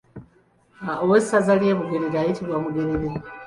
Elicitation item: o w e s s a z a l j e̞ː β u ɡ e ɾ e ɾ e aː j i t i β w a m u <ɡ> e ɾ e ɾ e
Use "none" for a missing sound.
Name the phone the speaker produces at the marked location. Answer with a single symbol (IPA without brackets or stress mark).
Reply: ɡ